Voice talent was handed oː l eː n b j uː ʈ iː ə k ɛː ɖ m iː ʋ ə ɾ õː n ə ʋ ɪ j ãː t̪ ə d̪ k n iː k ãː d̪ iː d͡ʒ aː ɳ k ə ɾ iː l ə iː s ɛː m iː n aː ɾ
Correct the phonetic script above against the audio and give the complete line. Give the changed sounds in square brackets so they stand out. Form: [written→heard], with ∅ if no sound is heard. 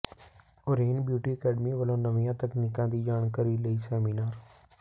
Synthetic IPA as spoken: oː [l→ɾ] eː n b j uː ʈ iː ə k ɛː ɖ m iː ʋ ə [ɾ→l] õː n ə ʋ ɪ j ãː t̪ ə [d̪→∅] k n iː k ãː d̪ iː d͡ʒ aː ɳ k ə ɾ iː l ə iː s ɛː m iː n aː ɾ